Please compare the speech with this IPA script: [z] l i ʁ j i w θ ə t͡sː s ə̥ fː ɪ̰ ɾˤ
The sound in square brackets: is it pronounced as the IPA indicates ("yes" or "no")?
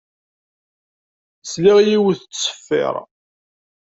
no